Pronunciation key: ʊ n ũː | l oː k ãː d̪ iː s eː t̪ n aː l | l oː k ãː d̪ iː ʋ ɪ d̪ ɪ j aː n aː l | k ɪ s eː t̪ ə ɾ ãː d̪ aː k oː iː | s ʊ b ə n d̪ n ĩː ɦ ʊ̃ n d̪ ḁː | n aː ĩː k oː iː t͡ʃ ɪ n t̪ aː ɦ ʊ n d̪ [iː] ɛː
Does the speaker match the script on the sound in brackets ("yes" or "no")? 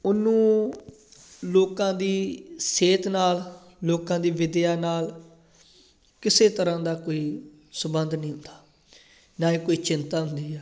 yes